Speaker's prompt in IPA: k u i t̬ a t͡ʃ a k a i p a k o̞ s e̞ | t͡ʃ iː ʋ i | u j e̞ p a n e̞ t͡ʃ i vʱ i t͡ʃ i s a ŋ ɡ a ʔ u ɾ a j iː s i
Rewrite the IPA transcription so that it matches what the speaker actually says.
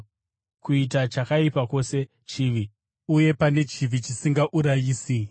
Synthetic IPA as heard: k u i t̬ a t͡ʃ a k a i p a k o̞ s e̞ | t͡ʃ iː ʋ i | u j e̞ p a n e̞ t͡ʃ i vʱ i t͡ʃ i s i ŋ ɡ a ʔ u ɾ a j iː s i

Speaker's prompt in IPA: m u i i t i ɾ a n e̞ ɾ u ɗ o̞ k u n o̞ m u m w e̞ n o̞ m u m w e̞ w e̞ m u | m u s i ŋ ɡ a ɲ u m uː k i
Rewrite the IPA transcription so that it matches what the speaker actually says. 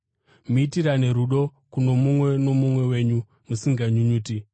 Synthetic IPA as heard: m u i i t i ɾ a n e̞ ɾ u ɗ o̞ k u n o̞ m u m w e̞ n o̞ m u m w e̞ w e̞ ɲ u | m u s i ŋ ɡ a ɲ u ɲ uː t i

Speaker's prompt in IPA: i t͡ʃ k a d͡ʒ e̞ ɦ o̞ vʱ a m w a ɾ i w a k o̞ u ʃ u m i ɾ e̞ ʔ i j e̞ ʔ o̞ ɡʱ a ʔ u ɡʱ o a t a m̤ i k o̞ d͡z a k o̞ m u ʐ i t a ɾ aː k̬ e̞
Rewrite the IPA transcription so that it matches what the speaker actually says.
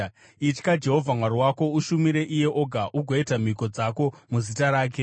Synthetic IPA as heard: i t͡ʃ k a d͡ʒ e̞ ɦ o̞ vʱ a m w a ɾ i w a k o̞ u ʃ u m i ɾ e̞ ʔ i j e̞ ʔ o̞ ɡʱ a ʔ u ɡʱ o i t a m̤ i k o̞ d͡z a k o̞ m u z i t a ɾ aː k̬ e̞

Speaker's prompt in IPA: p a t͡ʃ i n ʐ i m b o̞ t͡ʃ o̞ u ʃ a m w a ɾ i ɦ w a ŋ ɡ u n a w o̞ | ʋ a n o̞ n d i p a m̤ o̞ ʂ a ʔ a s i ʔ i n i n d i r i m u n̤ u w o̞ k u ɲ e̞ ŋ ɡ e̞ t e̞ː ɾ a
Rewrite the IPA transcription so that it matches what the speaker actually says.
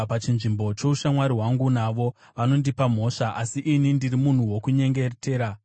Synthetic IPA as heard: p a t͡ʃ i n ʐ i m b o̞ t͡ʃ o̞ u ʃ a m w a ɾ i ɦ w a ŋ ɡ u n a ʋ o̞ | ʋ a n o̞ n d i p a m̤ o̞ ʂ a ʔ a s i ʔ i n i n d i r i m u n̤ u w o̞ k u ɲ e̞ ŋ ɡ e̞ t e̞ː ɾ a

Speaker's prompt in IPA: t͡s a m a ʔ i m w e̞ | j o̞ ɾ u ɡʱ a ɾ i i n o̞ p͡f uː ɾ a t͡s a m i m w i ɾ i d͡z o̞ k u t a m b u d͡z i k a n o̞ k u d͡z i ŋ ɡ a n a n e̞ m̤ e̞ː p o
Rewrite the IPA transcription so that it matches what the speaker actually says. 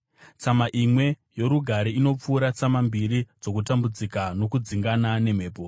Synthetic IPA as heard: t͡s a m a ʔ i m w e̞ | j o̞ ɾ u ɡʱ a ɾ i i n o̞ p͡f uː ɾ a t͡s a m a m b i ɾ i d͡z o̞ k u t a m b u d͡z i k a n o̞ k u d͡z i ŋ ɡ a n a n e̞ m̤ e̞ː p o

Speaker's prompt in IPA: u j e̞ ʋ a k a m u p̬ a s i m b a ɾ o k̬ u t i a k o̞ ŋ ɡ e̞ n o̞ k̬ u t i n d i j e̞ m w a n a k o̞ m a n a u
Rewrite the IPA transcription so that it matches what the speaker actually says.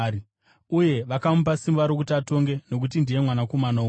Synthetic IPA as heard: u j e̞ ʋ a k a m u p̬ a s i m b a ɾ o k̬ u t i a t o̞ ŋ ɡ e̞ n o̞ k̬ u t i n d i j e̞ m w a n a k o̞ m a n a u

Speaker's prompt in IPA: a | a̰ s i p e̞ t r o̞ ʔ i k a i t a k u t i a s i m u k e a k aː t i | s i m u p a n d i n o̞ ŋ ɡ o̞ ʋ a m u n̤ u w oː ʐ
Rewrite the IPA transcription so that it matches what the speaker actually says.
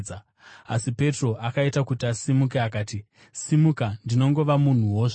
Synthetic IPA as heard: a | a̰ s i p e̞ t r o̞ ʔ a k a i t a k u t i a s i m u k e a k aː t i | s i m u k a n d i n o̞ ŋ ɡ o̞ ʋ a m u n̤ u w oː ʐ

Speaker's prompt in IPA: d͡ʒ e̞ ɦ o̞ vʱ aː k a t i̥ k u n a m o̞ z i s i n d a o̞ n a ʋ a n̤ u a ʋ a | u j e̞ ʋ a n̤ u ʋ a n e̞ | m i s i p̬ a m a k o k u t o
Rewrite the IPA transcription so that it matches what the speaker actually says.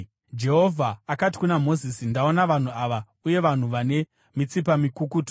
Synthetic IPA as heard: d͡ʒ e̞ ɦ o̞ vʱ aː k a t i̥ k u n a m o̞ z i s i n d a o̞ n a ʋ a n̤ u a ʋ a | u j e̞ ʋ a n̤ u ʋ a n e̞ | m i t͡s i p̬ a m i k u k u t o

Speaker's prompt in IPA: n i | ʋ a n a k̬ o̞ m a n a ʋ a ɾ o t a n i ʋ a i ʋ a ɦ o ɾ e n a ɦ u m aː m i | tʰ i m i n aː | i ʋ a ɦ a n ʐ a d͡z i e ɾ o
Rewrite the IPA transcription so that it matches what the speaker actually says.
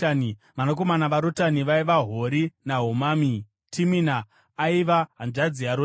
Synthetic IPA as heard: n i | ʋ a n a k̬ o̞ m a n a ʋ a ɾ o t a n i ʋ a i ʋ a ɦ o ɾ i n a ɦ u m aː m i | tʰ i m i n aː | i ʋ a ɦ a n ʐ a d͡z i a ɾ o

